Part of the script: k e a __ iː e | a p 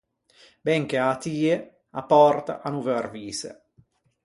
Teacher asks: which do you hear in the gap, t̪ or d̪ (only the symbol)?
t̪